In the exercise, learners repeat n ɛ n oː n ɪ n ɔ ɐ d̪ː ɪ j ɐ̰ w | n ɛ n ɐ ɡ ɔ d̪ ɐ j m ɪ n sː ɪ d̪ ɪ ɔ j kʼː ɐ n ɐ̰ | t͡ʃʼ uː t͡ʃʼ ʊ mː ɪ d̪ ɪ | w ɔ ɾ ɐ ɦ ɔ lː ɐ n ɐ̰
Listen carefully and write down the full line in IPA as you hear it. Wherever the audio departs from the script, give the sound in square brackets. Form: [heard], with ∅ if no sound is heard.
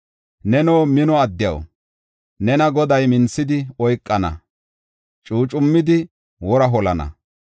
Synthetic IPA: n ɛ n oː [m] ɪ n ɔ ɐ d̪ː ɪ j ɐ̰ w | n ɛ n ɐ ɡ ɔ d̪ ɐ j m ɪ n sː ɪ d̪ ɪ ɔ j kʼː ɐ n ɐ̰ | t͡ʃʼ uː t͡ʃʼ ʊ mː ɪ d̪ ɪ | w ɔ ɾ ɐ ɦ ɔ [l] ɐ n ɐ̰